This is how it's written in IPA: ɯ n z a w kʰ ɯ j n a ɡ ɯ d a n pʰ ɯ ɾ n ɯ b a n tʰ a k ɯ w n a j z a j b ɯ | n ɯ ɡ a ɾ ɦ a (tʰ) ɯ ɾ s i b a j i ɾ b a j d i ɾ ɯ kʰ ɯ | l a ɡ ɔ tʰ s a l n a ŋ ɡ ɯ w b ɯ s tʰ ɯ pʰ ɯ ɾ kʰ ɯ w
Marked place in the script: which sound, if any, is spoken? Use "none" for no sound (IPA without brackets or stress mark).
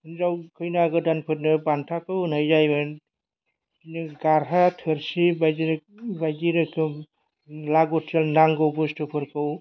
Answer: tʰ